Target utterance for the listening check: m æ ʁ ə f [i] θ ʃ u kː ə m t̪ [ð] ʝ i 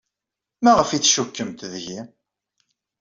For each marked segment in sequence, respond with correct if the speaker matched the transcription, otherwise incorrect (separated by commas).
correct, correct